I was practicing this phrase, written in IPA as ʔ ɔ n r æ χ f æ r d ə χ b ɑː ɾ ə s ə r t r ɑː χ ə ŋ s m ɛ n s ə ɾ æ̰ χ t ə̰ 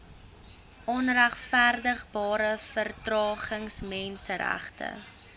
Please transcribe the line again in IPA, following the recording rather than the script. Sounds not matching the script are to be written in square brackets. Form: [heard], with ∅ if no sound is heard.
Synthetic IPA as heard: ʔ ɔ n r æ χ f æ r d ə χ b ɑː ɾ ə [f] ə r t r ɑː χ ə ŋ s m ɛ n s ə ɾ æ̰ χ t ə̰